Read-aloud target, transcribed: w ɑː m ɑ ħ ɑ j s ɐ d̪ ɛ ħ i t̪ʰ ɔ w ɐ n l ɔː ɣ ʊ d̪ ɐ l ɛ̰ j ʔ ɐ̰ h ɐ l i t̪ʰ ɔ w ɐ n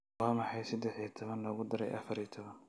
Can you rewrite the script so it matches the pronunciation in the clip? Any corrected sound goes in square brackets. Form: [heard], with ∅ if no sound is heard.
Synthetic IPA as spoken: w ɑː m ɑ ħ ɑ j s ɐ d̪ ɛ ħ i t̪ʰ ɔ [β] ɐ n l ɔː ɣ ʊ d̪ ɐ [ɾ] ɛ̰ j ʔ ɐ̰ [f] ɐ [ɾ] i t̪ʰ ɔ [β] ɐ n

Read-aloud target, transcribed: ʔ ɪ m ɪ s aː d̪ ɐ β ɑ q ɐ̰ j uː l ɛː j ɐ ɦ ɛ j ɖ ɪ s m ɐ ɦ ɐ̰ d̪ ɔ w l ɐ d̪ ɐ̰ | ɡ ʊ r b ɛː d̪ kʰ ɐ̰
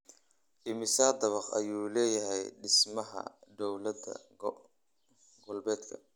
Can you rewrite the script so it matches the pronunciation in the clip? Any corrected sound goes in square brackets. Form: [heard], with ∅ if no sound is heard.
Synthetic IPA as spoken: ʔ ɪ m ɪ s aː d̪ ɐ β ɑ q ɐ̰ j uː l ɛː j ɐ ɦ ɛ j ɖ ɪ s m ɐ ɦ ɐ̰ d̪ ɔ w l ɐ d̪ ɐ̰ | ɡ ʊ [l] b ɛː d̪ kʰ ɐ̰

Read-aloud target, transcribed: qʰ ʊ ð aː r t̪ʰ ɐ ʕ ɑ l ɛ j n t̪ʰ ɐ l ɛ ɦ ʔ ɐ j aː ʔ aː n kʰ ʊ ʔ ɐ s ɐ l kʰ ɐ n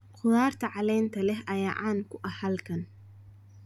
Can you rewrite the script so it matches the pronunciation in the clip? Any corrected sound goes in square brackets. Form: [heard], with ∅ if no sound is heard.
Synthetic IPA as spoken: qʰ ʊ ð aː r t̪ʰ ɐ ʕ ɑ l ɛ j n t̪ʰ ɐ l ɛ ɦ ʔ ɐ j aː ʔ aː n kʰ ʊ ʔ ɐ [h] ɐ l kʰ ɐ n

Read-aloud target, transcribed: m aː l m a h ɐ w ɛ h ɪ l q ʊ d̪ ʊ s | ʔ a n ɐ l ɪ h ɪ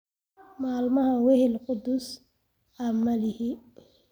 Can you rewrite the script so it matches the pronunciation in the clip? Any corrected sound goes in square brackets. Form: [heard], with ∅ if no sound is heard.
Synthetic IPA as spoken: m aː l m [ɐ] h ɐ w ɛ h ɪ l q ʊ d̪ ʊ s | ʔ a [m] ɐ l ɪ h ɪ

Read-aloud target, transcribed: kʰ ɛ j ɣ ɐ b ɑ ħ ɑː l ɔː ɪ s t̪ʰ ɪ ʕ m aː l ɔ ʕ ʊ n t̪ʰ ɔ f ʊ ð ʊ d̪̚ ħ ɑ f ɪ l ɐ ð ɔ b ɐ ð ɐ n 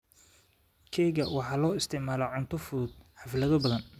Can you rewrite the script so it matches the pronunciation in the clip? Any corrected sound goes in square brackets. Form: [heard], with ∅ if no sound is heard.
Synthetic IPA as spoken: kʰ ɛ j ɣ ɐ [w] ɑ ħ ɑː l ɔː ɪ s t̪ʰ ɪ ʕ m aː l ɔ ʕ ʊ n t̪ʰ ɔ f ʊ ð ʊ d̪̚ ħ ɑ f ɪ l ɐ ð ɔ b ɐ ð ɐ n

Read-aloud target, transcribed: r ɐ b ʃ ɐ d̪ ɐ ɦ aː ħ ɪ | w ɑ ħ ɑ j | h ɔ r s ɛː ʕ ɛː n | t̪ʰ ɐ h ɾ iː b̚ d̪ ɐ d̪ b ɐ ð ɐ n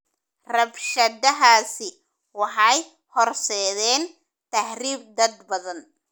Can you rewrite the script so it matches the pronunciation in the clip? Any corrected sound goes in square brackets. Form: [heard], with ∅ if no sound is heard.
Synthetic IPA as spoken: r ɐ b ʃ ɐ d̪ ɐ ɦ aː [s] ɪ | w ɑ ħ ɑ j | h ɔ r s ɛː [ð] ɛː n | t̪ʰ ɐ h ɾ iː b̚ d̪ ɐ d̪ b ɐ ð ɐ n

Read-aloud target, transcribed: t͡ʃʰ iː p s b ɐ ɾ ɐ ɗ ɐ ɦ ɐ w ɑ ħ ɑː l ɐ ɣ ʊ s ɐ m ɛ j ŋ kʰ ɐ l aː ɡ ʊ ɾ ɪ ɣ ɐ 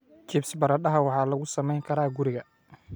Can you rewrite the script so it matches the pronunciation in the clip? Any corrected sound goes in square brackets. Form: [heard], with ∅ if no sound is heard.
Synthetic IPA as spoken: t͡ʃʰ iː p s b ɐ ɾ ɐ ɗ ɐ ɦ ɐ w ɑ ħ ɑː l ɐ ɣ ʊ s ɐ m ɛ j ŋ kʰ ɐ [ɾ] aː ɡ ʊ ɾ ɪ ɣ ɐ

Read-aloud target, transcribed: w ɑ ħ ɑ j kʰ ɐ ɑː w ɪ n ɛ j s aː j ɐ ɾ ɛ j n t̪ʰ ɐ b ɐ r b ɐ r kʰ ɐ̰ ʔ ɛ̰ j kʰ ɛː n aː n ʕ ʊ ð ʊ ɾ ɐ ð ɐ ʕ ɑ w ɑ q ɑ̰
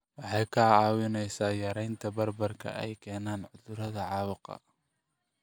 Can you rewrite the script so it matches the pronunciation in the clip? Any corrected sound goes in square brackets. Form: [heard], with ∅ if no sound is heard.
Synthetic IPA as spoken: w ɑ ħ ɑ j kʰ ɐ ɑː w ɪ n ɛ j s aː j ɐ ɾ ɛ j n t̪ʰ ɐ b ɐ r b ɐ r kʰ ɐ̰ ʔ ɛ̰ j kʰ ɛː n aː n ʕ ʊ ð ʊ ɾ ɐ ð ɐ ʕ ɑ w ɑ q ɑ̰

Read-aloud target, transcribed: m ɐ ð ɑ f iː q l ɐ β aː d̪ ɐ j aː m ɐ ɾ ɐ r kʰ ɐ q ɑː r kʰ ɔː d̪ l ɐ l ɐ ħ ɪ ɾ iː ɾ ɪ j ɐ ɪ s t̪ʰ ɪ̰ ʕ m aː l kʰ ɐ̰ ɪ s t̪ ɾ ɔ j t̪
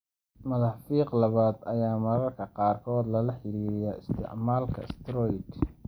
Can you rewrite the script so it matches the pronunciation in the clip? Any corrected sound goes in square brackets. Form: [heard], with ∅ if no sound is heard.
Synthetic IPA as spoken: m ɐ ð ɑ f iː q l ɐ β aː d̪ ɐ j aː m ɐ ɾ ɐ r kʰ ɐ q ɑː r kʰ ɔː d̪ l ɐ l ɐ ħ ɪ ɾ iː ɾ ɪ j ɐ ɪ s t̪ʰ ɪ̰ ʕ m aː l kʰ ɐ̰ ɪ s t̪ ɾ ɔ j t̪

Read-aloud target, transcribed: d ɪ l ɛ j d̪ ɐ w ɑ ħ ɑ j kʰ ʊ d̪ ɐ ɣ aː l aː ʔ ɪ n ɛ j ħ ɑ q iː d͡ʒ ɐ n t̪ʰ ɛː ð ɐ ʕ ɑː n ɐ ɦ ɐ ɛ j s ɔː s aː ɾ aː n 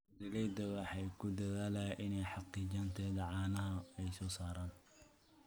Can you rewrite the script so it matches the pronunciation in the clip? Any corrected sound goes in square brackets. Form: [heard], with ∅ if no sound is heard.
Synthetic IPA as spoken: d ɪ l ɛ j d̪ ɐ w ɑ ħ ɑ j kʰ ʊ d̪ ɐ [ð] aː l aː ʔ ɪ n ɛ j ħ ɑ q iː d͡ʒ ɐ n t̪ʰ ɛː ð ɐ ʕ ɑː n ɐ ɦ ɐ ɛ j s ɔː s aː ɾ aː n

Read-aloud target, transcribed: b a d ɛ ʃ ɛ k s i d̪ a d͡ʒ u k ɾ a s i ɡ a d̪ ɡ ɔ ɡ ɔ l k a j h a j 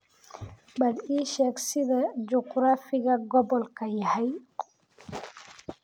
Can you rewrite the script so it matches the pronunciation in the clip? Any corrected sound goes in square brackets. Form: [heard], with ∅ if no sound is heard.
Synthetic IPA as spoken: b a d [i] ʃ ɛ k s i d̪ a d͡ʒ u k ɾ a [f] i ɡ a [∅] ɡ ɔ [b] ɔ l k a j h a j

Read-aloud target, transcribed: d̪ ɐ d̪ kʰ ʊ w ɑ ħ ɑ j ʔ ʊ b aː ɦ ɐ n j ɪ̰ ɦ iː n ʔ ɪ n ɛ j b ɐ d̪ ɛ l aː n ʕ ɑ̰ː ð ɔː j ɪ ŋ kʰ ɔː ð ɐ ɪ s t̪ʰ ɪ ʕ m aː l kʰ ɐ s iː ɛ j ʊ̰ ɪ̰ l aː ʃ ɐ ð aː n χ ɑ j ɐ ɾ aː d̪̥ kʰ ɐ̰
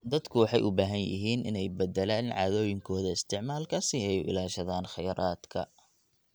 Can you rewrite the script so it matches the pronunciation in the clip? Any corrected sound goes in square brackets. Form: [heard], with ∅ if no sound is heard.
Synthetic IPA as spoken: d̪ ɐ d̪ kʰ ʊ w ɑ ħ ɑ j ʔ ʊ b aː ɦ ɐ n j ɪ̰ ɦ iː n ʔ ɪ n ɛ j b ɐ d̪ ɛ l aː n ʕ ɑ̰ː ð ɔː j ɪ ŋ kʰ ɔː ð ɐ ɪ s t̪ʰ ɪ ʕ m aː l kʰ ɐ s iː ɛ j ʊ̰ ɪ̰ l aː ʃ ɐ ð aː n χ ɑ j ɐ ɾ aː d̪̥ kʰ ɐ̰

